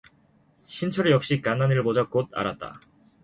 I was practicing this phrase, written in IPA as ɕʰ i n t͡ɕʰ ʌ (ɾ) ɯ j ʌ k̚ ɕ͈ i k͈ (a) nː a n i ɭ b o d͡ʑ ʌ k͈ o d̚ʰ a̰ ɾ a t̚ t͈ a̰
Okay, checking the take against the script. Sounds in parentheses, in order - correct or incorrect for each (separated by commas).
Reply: correct, correct